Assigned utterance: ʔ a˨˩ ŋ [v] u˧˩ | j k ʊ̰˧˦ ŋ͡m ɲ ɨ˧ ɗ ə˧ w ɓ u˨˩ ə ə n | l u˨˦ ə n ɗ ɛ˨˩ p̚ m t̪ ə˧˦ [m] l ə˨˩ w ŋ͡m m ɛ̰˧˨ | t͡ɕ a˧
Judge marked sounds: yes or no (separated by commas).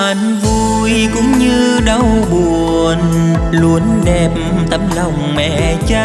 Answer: yes, yes